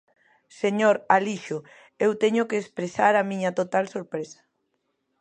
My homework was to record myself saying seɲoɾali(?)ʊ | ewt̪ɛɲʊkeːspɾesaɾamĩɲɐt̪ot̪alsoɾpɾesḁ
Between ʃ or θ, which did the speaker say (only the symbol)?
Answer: ʃ